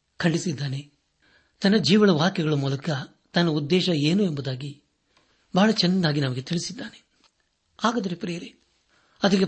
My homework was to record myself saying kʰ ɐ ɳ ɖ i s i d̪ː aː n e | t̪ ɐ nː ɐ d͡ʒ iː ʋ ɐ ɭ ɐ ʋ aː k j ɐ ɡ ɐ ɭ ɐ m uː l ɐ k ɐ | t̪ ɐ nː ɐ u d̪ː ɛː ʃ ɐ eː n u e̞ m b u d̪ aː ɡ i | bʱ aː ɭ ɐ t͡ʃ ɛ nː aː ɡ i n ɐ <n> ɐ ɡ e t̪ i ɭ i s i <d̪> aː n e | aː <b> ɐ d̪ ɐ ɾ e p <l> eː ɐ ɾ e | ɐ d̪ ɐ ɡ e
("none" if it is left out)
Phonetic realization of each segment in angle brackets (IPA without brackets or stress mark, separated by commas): m, d̪ː, ɡ, ɾ